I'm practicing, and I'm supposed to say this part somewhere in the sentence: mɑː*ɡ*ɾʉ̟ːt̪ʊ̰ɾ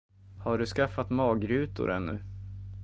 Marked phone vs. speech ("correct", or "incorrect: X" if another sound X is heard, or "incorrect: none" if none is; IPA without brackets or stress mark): correct